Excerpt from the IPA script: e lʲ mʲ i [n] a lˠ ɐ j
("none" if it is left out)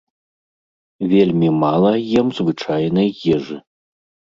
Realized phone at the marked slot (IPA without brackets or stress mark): m